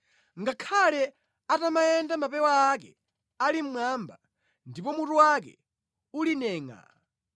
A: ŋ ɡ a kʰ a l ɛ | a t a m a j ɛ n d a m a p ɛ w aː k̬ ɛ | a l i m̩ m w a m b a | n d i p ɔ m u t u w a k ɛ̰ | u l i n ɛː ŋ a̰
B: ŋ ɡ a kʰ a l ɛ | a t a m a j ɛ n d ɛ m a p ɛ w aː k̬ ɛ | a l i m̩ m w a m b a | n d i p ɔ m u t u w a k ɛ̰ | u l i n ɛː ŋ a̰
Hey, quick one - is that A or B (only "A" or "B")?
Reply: A